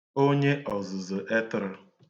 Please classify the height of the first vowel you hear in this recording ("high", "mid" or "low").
mid